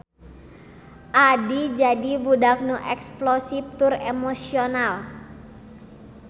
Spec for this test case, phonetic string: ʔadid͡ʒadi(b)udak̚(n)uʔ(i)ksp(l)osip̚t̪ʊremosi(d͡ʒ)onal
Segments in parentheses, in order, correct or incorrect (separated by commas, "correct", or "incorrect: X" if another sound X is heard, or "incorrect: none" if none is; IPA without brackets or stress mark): correct, correct, incorrect: ɛ, correct, incorrect: none